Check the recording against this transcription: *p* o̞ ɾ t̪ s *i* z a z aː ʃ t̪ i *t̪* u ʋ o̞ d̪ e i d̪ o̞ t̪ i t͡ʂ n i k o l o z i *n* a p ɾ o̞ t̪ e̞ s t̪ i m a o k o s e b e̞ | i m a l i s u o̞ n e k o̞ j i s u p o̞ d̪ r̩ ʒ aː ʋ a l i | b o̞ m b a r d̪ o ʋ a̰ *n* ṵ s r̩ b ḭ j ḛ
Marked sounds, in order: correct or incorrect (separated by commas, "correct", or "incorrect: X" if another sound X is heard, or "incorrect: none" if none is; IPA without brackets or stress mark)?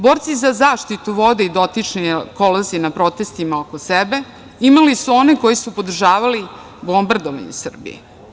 incorrect: b, correct, correct, correct, incorrect: ɲ